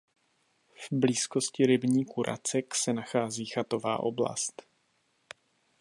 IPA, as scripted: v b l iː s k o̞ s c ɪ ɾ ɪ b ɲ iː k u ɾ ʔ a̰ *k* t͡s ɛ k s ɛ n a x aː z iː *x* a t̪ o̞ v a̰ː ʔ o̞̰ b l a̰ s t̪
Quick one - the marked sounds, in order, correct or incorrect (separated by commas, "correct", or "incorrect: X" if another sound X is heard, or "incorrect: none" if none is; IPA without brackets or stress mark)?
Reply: incorrect: none, correct